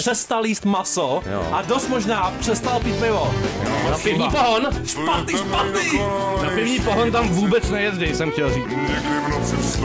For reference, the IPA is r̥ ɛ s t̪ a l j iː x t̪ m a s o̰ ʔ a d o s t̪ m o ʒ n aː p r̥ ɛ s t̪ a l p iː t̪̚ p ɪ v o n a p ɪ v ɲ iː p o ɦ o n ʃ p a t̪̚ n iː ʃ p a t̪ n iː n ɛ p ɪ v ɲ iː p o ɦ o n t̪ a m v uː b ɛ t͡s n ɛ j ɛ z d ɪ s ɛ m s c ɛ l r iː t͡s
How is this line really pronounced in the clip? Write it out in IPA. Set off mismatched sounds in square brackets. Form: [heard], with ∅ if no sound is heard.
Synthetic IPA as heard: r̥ ɛ s t̪ a l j iː [s] t̪ m a s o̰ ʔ a d o s t̪ m o ʒ n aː p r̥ ɛ s t̪ a l p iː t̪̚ p ɪ v o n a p ɪ v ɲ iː p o ɦ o n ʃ p a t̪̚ n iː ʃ p a t̪ n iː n [a] p ɪ v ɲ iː p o ɦ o n t̪ a m v uː b ɛ t͡s n ɛ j ɛ z d ɪ s ɛ m [x] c ɛ l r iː t͡s